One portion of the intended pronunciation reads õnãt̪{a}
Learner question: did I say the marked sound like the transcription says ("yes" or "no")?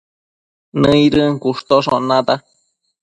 yes